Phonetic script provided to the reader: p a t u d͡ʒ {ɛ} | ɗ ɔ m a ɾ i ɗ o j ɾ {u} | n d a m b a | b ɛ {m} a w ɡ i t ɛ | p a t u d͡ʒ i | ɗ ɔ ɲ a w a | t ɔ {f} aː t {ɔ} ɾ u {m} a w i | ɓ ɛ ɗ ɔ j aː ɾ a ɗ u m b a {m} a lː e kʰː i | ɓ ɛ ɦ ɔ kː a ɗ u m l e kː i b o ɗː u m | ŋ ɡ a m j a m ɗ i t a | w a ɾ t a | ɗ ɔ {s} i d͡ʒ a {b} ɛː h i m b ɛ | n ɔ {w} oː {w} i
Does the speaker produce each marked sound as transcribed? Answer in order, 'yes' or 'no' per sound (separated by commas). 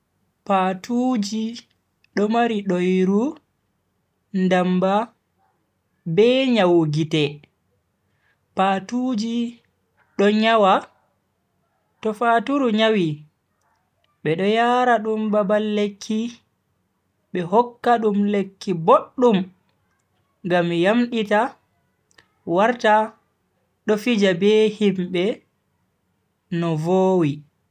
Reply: no, yes, no, yes, no, no, no, no, yes, no, yes